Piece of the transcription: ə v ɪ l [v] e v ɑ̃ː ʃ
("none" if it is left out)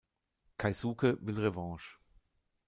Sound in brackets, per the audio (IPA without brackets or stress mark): ʁ